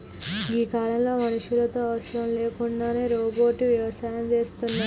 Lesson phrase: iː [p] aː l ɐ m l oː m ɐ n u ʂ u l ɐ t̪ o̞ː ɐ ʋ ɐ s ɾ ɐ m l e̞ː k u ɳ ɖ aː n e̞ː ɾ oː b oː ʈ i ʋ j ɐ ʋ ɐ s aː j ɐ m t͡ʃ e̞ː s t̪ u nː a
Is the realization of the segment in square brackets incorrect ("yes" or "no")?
yes